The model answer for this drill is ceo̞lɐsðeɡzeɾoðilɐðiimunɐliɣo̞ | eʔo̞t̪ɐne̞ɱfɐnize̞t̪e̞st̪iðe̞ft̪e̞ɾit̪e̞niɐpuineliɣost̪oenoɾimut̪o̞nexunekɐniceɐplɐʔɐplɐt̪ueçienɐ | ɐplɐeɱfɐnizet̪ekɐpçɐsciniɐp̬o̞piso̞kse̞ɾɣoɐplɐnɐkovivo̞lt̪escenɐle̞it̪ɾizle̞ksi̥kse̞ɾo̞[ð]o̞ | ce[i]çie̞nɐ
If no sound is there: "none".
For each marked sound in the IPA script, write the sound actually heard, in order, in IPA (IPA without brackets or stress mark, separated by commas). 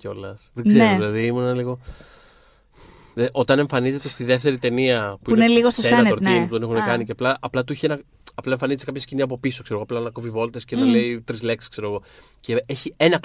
ɣ, e